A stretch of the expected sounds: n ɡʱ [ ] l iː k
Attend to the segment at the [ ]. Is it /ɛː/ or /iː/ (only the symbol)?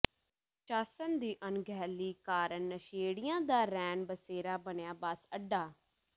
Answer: ɛː